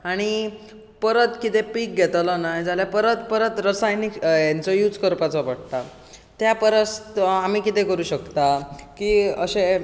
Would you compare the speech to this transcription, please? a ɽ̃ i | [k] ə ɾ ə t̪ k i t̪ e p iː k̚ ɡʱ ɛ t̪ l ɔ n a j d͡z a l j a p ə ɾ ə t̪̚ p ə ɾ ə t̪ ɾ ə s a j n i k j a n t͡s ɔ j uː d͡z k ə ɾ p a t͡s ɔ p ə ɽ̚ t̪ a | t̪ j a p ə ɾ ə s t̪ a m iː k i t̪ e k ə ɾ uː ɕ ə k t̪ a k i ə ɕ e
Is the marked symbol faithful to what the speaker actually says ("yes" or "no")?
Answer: no